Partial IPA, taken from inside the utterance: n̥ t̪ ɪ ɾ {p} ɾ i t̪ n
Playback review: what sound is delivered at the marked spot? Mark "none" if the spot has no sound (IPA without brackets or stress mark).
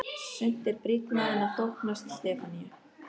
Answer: p